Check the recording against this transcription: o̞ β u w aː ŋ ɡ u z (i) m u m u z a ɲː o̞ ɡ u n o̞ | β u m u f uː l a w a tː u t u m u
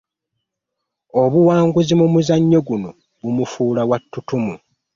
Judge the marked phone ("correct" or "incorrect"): correct